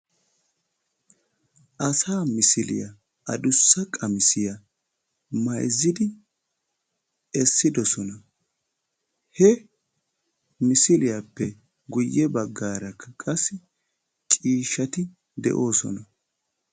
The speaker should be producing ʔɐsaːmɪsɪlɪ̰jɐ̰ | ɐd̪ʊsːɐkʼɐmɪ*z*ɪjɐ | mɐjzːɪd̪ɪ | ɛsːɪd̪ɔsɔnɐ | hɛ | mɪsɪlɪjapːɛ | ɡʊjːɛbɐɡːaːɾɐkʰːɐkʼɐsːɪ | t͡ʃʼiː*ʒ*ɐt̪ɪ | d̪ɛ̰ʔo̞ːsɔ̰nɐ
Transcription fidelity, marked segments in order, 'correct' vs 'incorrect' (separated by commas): incorrect, incorrect